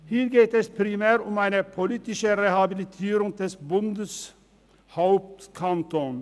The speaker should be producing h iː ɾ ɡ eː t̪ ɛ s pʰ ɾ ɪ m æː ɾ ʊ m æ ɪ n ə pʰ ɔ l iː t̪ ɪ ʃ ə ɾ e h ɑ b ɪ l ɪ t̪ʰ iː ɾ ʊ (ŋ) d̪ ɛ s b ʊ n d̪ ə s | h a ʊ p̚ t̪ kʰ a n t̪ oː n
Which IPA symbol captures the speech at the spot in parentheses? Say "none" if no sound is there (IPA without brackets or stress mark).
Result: ŋ